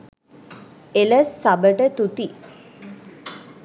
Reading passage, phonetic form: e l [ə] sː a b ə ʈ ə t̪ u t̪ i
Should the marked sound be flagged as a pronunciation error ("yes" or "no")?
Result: no